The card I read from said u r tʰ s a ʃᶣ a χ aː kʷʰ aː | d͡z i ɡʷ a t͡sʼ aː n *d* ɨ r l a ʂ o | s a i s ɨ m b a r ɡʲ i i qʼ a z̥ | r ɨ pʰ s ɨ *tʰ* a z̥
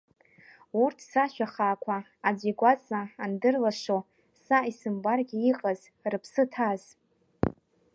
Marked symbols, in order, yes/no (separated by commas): yes, yes